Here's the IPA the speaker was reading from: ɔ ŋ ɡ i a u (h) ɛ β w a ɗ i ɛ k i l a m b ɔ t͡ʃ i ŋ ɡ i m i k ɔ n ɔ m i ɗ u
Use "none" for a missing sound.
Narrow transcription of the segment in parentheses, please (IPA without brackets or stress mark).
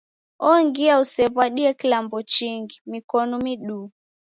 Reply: s